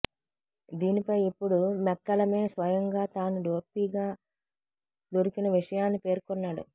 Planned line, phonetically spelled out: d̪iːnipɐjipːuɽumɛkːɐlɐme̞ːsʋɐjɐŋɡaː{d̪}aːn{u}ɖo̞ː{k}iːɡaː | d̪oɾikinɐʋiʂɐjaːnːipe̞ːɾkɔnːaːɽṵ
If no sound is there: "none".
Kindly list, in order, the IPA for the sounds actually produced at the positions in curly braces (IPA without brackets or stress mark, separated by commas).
t̪, u, p